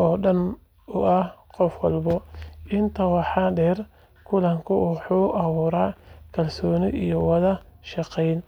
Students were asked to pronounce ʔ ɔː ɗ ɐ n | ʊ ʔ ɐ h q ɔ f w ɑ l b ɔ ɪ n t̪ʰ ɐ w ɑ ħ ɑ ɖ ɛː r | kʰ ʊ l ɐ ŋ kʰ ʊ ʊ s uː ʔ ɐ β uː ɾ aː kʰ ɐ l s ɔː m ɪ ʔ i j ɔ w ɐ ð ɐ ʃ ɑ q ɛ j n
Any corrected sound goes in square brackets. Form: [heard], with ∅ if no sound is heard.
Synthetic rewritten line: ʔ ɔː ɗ ɐ n | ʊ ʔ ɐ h q ɔ f w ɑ l b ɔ ɪ n t̪ʰ ɐ w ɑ ħ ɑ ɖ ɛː r | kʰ ʊ l ɐ ŋ kʰ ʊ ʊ [ħ] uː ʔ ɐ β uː ɾ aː kʰ ɐ l s ɔː [n] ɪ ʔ i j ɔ w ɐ ð ɐ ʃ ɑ q ɛ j n

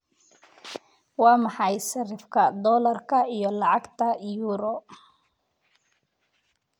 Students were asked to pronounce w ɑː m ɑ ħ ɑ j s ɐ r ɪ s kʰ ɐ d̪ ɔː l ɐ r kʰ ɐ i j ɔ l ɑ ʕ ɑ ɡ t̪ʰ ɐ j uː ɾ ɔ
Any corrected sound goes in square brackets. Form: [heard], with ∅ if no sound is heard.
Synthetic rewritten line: w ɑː m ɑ ħ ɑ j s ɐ r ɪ [f] kʰ ɐ d̪ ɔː l ɐ r kʰ ɐ i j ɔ l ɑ ʕ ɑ ɡ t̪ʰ ɐ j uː ɾ ɔ

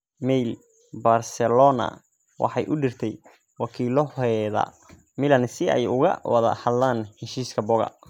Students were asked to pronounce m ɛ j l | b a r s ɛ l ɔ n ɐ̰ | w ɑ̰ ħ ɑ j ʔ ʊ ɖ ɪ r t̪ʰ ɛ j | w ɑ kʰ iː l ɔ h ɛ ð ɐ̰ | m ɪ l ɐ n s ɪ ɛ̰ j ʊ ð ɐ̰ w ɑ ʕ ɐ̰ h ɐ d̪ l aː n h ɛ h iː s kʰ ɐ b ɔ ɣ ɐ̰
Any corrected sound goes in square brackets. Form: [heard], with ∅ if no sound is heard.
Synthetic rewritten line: m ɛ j l | b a r s ɛ l ɔ n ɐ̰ | w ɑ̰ ħ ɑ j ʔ ʊ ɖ ɪ r t̪ʰ ɛ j | w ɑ kʰ iː l ɔ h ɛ ð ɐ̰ | m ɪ l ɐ n s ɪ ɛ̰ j ʊ [ɣ] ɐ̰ w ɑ [ð] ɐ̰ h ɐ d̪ l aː n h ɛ [ʃ] iː s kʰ ɐ b ɔ ɣ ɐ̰

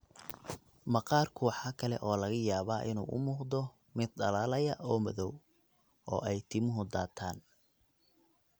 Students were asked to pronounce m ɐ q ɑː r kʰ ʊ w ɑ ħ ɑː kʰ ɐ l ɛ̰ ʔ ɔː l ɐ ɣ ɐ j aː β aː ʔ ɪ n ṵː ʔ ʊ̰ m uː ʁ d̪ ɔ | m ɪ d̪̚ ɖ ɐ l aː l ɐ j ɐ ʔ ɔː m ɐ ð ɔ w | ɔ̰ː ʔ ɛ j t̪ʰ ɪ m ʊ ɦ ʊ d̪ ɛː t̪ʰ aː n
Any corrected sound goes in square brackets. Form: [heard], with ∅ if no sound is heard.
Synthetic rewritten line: m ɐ q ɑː r kʰ ʊ w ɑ ħ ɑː kʰ ɐ l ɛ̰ ʔ ɔː l ɐ ɣ ɐ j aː β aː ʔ ɪ n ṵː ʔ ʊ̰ m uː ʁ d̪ ɔ | m ɪ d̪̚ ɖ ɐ l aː l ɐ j ɐ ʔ ɔː m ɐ ð ɔ w | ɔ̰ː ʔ ɛ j t̪ʰ ɪ m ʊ ɦ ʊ d̪ [aː] t̪ʰ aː n

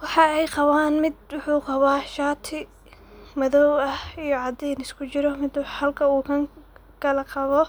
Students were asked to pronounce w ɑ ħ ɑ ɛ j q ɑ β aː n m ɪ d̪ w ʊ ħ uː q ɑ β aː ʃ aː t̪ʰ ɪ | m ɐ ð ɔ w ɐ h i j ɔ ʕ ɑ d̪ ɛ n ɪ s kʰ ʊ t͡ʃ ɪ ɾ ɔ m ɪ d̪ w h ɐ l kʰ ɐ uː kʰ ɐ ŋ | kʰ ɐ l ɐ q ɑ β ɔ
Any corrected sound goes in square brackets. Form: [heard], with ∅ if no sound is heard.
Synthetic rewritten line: w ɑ ħ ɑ ɛ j q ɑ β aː n m ɪ d̪ w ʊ ħ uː q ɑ β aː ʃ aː t̪ʰ ɪ | m ɐ ð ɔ w ɐ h i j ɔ ʕ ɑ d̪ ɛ n ɪ s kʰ ʊ t͡ʃ ɪ ɾ ɔ m ɪ d̪ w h ɐ l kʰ ɐ uː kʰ ɐ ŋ | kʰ ɐ l ɐ q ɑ β ɔ

